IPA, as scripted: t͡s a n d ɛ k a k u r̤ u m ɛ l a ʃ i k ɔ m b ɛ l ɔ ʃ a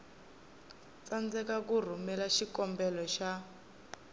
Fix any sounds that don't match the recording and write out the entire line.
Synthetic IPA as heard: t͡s a n d͡z ɛ k a k u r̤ u m ɛ l a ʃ i k ɔ m b ɛ l ɔ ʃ a

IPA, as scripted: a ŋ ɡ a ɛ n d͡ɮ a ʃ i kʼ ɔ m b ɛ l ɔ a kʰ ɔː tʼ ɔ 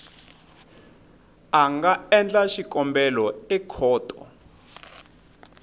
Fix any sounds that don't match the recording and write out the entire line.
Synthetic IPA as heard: a ŋ ɡ a ɛ n d͡ɮ a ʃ i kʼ ɔ m b ɛ l ɔ ɛ kʰ ɔː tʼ ɔ

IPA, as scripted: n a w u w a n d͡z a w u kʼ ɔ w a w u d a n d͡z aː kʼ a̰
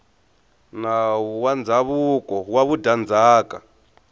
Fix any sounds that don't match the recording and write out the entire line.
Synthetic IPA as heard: n a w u w a n d͡z a β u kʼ ɔ w a β u d a n d͡z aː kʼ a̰

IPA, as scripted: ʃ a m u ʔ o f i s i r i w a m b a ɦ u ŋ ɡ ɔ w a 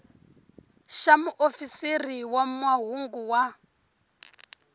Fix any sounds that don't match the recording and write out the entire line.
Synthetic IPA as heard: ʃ a m u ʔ o f i s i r i w a m w a ɦ u ŋ ɡ u w a

